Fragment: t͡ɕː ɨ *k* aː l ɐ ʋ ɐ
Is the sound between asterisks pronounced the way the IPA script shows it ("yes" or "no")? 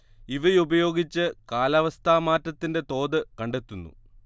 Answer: yes